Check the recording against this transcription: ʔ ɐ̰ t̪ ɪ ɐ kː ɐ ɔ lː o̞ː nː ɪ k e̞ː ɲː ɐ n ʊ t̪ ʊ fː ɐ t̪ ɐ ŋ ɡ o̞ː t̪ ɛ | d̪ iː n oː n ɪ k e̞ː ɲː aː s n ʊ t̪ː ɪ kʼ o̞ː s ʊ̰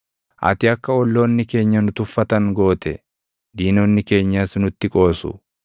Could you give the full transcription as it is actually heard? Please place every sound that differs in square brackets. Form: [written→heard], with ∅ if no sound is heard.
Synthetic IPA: ʔ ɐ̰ t̪ ɪ ɐ kː ɐ ɔ lː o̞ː nː ɪ k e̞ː ɲː ɐ n ʊ t̪ ʊ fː ɐ t̪ ɐ ŋ ɡ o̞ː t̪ ɛ | d̪ iː n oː [n→nː] ɪ k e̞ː ɲː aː s n ʊ t̪ː ɪ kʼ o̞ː s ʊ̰

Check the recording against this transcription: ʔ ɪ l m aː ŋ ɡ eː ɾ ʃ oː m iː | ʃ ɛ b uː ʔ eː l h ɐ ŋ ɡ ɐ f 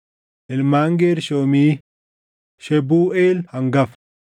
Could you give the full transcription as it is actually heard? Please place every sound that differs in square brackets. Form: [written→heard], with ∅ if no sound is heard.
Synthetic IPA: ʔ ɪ l m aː ŋ ɡ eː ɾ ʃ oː m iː | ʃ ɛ b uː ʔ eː l h ɐ ŋ ɡ ɐ f

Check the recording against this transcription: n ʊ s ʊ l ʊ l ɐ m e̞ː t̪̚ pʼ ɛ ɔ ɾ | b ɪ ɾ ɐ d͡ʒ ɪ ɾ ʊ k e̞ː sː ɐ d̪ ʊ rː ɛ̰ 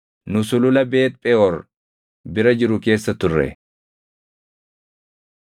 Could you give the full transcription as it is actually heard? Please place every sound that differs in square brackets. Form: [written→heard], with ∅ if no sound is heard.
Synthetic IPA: n ʊ s ʊ l ʊ l ɐ [m→b] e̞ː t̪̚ pʼ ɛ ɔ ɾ | b ɪ ɾ ɐ d͡ʒ ɪ ɾ ʊ k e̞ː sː ɐ [d̪→t̪] ʊ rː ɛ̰

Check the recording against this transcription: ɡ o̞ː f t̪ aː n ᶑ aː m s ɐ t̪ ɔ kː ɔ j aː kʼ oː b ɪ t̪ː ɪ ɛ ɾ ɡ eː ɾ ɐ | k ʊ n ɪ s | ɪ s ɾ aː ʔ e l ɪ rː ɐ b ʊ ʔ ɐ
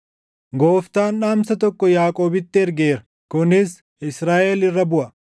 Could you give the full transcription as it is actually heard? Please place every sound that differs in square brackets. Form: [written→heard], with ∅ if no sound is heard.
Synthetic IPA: ɡ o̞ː f t̪ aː n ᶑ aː m s ɐ t̪ ɔ kː ɔ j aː kʼ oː b ɪ t̪ː ɪ ɛ ɾ ɡ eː ɾ ɐ | k ʊ n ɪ s | ɪ s ɾ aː ʔ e l ɪ rː ɐ b ʊ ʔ ɐ

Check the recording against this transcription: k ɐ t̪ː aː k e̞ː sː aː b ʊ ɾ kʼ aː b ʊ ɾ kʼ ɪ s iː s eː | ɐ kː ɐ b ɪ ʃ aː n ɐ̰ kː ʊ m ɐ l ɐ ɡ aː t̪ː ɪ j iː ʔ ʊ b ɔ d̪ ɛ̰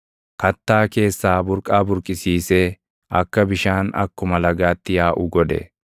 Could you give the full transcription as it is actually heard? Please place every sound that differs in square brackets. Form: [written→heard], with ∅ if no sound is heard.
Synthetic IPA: k ɐ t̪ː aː k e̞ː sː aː b ʊ ɾ kʼ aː b ʊ ɾ kʼ ɪ s iː s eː | ɐ kː ɐ b ɪ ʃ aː n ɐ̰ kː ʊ m ɐ l ɐ ɡ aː t̪ː ɪ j [iː→aː] ʔ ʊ [b→ɡ] ɔ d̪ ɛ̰

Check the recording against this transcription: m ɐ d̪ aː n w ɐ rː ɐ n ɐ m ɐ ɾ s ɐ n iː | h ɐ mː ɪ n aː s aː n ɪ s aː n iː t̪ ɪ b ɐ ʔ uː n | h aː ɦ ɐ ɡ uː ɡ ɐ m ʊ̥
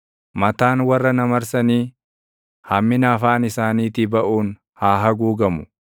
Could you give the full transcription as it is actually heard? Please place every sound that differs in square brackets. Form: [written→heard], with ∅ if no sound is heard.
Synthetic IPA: m ɐ [d̪→t̪] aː n w ɐ rː ɐ n ɐ m ɐ ɾ s ɐ n iː | h ɐ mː ɪ n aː [s→f] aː n ɪ s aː n iː t̪ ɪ b ɐ ʔ uː n | h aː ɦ ɐ ɡ uː ɡ ɐ m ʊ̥

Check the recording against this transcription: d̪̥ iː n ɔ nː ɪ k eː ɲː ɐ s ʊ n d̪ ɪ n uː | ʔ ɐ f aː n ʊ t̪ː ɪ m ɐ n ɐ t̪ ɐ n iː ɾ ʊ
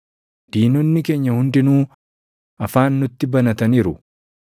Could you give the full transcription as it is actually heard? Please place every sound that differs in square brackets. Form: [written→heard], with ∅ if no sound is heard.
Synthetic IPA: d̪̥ iː n ɔ nː ɪ k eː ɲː ɐ [s→h] ʊ n d̪ ɪ n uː | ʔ ɐ f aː [n→nː] ʊ t̪ː ɪ [m→b] ɐ n ɐ t̪ ɐ n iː ɾ ʊ

